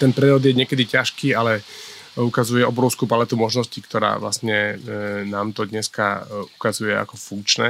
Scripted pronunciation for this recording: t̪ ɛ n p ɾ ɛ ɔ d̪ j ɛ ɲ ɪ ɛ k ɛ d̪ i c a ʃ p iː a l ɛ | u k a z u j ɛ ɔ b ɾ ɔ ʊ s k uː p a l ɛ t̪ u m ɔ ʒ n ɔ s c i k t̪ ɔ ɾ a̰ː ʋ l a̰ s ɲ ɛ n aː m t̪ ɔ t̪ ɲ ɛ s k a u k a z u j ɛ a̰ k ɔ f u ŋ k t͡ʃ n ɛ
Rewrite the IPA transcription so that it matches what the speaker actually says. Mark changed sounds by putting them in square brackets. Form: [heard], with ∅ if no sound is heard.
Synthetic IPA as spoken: t̪ ɛ n p ɾ ɛ ɔ d̪ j ɛ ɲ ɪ ɛ k ɛ d̪ i c a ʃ [k] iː a l ɛ | u k a z u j ɛ ɔ b ɾ ɔ ʊ s k uː p a l ɛ t̪ u m ɔ ʒ n ɔ s c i k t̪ ɔ ɾ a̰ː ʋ l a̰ s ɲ ɛ n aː m t̪ ɔ [d̪] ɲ ɛ s k a u k a z u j ɛ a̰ k ɔ f u ŋ k t͡ʃ n ɛ